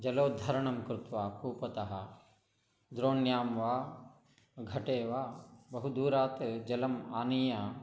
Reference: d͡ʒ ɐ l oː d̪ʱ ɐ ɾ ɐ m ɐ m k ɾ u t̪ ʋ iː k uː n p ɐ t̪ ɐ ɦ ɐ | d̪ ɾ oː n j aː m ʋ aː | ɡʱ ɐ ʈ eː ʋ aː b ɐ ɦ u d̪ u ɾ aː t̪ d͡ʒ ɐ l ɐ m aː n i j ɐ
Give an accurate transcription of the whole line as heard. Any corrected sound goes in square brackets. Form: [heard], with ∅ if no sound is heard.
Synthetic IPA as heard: d͡ʒ ɐ l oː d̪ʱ ɐ ɾ ɐ [ɳ] ɐ m k ɾ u t̪ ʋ [aː] k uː [∅] p ɐ t̪ ɐ ɦ ɐ | d̪ ɾ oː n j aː m ʋ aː | ɡʱ ɐ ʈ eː ʋ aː b ɐ ɦ u d̪ [uː] ɾ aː t̪ d͡ʒ ɐ l ɐ m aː n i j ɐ